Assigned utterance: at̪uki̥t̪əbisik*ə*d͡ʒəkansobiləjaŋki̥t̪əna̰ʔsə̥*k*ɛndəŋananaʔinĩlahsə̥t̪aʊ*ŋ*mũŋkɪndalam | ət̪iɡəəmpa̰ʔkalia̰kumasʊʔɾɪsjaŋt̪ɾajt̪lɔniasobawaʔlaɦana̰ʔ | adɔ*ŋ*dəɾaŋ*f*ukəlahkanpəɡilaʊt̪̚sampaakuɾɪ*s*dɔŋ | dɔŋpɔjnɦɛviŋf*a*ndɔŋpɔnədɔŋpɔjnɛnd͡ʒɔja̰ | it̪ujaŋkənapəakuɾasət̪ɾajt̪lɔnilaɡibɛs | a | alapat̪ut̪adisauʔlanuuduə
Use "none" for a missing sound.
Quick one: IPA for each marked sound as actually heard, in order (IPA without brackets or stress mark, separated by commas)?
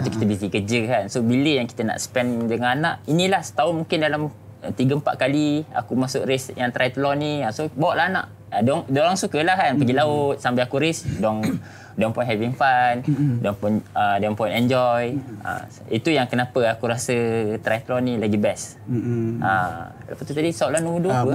ə, p, n, ŋ, s, s, a